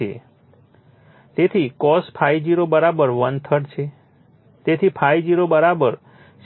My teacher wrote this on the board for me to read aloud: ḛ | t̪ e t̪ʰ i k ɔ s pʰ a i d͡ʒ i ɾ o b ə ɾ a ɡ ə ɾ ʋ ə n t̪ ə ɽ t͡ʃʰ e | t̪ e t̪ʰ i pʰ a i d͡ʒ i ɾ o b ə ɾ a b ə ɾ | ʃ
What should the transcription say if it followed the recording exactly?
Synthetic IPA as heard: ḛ | t̪ e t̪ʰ i k ɔ s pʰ a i d͡ʒ i ɾ o b ə ɾ a b ə ɾ ʋ ə n t̪ʰ ə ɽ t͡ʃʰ e | t̪ e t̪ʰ i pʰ a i d͡ʒ i ɾ o b ə ɾ a b ə ɾ | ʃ